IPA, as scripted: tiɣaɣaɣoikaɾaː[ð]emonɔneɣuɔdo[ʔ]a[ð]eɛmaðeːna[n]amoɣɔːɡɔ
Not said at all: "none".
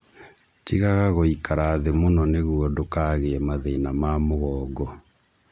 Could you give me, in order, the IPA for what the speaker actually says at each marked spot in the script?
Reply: ð, k, ɣ, m

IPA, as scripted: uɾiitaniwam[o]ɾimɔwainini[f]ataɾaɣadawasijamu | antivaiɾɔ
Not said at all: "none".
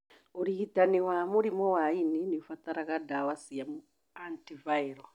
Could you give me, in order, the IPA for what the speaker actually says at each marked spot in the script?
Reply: u, f

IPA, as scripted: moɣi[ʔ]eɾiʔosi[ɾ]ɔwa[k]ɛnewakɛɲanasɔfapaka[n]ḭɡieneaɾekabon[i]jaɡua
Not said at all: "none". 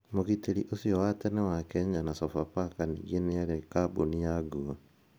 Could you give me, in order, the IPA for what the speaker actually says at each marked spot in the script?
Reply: t, none, t, n, i

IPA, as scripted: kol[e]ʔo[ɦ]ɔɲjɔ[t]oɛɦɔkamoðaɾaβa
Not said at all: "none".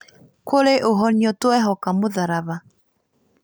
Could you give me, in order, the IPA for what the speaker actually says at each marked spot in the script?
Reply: e, ɦ, t

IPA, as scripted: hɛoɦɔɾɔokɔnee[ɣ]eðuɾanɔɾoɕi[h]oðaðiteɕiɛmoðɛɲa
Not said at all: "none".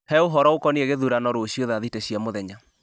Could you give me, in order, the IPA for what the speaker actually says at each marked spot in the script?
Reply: ɣ, none

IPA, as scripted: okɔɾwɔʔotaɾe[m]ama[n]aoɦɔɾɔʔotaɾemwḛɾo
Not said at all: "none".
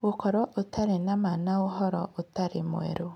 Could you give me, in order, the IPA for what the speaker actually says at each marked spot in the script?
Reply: n, n

